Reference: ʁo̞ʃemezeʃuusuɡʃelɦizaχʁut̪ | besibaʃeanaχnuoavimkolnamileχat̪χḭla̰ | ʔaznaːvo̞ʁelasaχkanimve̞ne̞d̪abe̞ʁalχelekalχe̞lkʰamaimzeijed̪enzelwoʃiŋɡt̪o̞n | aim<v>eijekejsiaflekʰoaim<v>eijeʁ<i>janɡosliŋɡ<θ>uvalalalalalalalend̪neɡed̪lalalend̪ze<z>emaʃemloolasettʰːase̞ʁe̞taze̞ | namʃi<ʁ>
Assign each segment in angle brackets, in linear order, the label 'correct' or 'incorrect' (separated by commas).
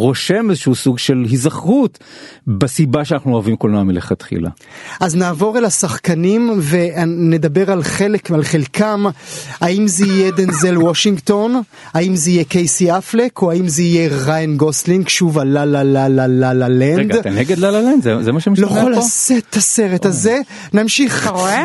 incorrect, incorrect, incorrect, incorrect, correct, incorrect